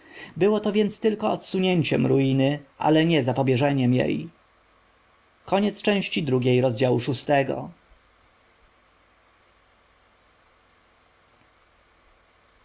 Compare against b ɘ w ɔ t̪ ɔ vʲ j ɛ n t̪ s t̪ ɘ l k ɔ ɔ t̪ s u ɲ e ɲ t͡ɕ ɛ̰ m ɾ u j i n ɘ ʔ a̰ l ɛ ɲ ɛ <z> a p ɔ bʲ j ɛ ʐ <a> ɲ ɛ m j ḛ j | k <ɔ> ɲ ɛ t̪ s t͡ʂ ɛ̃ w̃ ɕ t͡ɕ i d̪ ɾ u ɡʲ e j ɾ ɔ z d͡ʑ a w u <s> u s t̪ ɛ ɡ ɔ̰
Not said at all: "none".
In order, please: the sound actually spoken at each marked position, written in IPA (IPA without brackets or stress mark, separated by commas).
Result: z, ɛ, ɔ, ʂ